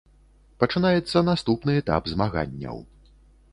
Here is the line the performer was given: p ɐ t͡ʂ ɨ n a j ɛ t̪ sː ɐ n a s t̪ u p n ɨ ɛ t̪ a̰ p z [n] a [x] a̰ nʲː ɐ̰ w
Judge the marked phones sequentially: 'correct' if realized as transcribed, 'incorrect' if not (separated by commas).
incorrect, incorrect